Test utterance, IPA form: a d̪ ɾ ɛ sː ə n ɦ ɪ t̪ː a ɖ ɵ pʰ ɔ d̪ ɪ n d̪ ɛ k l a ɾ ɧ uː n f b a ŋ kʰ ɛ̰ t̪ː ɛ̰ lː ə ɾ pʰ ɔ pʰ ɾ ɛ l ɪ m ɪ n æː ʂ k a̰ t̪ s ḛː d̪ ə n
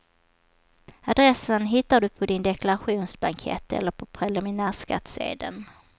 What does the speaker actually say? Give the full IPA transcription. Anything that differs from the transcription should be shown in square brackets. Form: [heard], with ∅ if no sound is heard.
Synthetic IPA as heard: a d̪ ɾ ɛ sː ə n ɦ ɪ t̪ː a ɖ ɵ pʰ ɔ d̪ ɪ n d̪ ɛ k l a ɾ ɧ uː n [s] b a ŋ kʰ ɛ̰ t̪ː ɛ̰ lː ə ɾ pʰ ɔ pʰ ɾ ɛ l ɪ m ɪ n æː ʂ k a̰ t̪ s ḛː d̪ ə n

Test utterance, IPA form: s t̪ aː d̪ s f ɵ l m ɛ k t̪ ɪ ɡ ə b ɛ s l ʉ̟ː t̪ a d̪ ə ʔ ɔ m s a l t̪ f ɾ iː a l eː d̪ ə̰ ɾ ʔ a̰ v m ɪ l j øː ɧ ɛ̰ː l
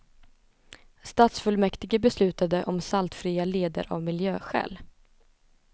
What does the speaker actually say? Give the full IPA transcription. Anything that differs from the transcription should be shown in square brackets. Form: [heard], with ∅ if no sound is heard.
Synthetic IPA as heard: s t̪ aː [t̪] s f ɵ l m ɛ k t̪ ɪ ɡ ə b ɛ s l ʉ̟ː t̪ a d̪ ə ʔ ɔ m s a l t̪ f ɾ iː a l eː d̪ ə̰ ɾ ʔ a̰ v m ɪ l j øː ɧ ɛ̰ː l

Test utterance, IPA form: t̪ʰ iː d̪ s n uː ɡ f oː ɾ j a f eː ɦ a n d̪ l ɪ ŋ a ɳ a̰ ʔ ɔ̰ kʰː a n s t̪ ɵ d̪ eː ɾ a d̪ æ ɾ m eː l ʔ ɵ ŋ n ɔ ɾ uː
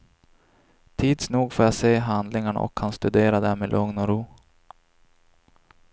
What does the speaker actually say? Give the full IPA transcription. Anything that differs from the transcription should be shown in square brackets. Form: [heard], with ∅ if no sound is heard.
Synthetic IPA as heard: t̪ʰ iː d̪ s n uː ɡ f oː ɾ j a [s] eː ɦ a n d̪ l ɪ ŋ a ɳ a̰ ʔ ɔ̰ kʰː a n s t̪ ɵ d̪ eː ɾ a d̪ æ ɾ m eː l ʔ ɵ ŋ n ɔ ɾ uː

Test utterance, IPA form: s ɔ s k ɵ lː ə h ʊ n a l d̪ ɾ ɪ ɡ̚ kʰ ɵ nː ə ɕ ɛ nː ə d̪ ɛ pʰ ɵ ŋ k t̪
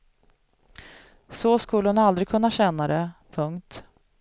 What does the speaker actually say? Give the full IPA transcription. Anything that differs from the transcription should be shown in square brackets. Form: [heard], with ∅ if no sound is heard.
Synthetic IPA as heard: s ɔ s k ɵ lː ə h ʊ n a l d̪ ɾ ɪ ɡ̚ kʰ ɵ nː [a] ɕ ɛ nː [a] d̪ ɛ pʰ ɵ ŋ k t̪

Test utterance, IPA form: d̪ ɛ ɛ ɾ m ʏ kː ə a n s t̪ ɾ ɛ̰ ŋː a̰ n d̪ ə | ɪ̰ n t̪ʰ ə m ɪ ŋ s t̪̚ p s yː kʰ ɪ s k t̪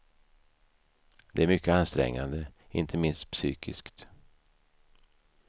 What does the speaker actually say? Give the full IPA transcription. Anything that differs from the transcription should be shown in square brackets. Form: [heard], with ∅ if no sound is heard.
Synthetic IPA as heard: d̪ ɛ [æ] ɾ m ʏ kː ə a n s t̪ ɾ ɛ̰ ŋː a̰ n d̪ ə | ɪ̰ n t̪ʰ ə m ɪ [n] s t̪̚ p s yː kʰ ɪ s k t̪

